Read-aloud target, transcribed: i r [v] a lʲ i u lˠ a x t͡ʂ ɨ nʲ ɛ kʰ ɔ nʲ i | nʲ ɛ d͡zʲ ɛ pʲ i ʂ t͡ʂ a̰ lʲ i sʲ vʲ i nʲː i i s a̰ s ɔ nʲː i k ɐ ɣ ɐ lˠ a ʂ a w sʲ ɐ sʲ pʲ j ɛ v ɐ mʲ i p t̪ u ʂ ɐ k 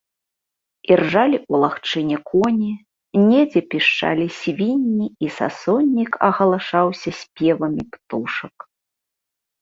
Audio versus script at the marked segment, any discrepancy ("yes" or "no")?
yes